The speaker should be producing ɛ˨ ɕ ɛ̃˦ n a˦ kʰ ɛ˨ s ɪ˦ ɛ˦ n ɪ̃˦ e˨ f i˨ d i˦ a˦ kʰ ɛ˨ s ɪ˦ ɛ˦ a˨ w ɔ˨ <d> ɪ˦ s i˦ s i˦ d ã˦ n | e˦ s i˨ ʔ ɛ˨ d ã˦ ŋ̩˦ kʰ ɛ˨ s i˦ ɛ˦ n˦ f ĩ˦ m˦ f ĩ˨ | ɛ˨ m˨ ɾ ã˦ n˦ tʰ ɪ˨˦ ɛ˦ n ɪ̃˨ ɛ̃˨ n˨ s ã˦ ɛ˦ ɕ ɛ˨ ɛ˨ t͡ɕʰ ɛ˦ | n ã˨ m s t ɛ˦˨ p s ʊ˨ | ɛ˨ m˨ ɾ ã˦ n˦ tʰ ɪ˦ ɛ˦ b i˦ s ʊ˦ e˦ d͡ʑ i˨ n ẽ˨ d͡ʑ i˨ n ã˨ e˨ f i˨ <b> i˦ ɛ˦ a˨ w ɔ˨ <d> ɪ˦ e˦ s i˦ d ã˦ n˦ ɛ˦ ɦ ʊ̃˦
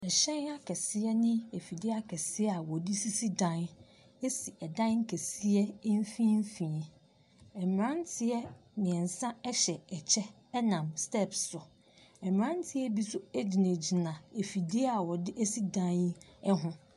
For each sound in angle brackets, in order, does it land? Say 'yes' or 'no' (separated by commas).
yes, no, yes